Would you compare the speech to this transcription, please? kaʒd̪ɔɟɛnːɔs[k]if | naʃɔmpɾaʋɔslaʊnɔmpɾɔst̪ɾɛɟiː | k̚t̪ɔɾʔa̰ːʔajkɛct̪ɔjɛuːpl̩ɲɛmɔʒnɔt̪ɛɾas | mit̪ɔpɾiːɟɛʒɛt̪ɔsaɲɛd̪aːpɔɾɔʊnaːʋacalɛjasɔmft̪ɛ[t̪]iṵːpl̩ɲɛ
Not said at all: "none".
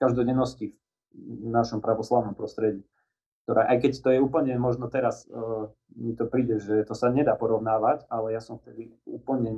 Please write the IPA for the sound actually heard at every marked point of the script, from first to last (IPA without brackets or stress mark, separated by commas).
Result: c, d̪